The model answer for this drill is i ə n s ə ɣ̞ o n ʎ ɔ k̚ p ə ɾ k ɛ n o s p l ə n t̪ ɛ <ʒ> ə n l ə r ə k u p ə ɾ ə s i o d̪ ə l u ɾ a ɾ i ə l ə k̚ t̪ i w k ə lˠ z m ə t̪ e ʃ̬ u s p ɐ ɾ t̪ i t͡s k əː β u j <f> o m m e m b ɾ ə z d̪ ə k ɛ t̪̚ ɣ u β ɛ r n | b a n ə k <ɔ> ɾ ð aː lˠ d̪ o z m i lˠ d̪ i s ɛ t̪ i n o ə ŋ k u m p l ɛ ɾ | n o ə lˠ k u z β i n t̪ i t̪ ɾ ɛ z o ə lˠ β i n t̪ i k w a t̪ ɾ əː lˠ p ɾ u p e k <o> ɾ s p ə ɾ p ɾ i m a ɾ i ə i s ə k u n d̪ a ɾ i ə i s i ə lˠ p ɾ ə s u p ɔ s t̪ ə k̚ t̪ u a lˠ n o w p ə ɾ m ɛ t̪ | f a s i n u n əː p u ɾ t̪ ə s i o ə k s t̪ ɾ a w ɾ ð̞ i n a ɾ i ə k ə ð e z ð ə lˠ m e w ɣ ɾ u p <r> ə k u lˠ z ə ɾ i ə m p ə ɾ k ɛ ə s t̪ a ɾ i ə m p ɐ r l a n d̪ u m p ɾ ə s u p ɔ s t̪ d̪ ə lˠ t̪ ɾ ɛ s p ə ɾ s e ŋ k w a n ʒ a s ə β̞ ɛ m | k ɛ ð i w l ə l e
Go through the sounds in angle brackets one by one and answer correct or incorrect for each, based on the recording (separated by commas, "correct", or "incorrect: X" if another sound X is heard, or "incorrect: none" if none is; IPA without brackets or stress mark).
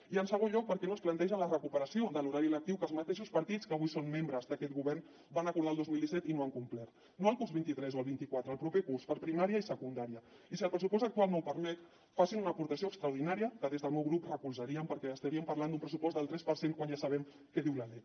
correct, incorrect: s, incorrect: u, incorrect: u, correct